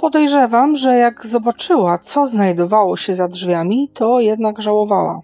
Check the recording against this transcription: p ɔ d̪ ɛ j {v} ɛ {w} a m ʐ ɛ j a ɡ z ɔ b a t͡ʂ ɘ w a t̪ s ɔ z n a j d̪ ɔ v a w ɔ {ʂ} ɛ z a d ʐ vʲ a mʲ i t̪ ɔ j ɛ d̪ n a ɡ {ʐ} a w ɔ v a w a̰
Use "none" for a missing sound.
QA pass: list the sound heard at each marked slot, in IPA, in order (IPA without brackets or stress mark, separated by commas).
ʐ, v, ɕ, ʐ